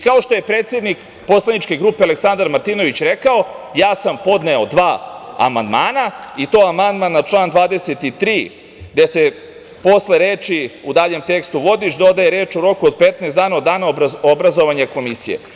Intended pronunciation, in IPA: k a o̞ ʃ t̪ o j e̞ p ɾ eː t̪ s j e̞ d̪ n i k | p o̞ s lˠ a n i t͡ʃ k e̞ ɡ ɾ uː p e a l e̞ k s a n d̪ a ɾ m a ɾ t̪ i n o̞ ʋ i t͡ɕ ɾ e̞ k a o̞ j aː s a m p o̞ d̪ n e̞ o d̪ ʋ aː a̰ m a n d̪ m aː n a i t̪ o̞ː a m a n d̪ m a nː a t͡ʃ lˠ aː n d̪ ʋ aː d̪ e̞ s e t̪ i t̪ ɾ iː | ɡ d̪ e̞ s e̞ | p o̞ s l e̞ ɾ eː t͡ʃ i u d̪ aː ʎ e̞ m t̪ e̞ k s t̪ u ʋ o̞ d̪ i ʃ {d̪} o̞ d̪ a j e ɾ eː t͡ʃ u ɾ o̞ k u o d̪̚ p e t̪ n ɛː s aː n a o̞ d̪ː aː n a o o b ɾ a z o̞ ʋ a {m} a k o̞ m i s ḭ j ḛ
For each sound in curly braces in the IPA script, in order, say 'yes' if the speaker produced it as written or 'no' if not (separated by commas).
yes, no